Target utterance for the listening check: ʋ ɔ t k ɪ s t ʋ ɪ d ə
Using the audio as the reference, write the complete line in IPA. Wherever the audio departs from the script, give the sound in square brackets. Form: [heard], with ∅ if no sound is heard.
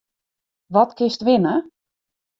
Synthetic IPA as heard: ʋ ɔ t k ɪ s t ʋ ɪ [n] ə